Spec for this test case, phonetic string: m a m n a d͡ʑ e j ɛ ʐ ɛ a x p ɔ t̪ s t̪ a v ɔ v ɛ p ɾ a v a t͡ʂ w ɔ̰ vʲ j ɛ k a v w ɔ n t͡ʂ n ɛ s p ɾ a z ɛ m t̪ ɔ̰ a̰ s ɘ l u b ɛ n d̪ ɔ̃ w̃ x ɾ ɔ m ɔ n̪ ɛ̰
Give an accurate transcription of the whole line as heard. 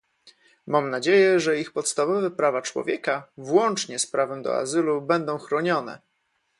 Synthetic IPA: m a m n a d͡ʑ e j ɛ ʐ ɛ i x p ɔ t̪ s t̪ a v ɔ v ɛ p ɾ a v a t͡ʂ w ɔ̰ vʲ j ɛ k a v w ɔ n t͡ʂ ɲ ɛ s p ɾ a v ɛ m d̪ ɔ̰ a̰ z ɘ l u b ɛ n d̪ ɔ̃ w̃ x ɾ ɔ ɲ ɔ n̪ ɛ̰